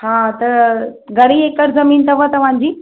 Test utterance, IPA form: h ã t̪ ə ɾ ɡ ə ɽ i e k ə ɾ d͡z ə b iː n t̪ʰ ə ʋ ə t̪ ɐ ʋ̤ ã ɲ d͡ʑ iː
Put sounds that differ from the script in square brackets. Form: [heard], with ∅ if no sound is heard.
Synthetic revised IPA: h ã t̪ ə ɾ ɡ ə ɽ i e k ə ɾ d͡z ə [m] iː n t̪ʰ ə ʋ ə t̪ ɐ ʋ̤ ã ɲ d͡ʑ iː